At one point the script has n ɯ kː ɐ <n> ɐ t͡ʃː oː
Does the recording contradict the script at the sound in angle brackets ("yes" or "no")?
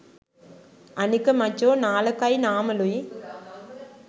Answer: yes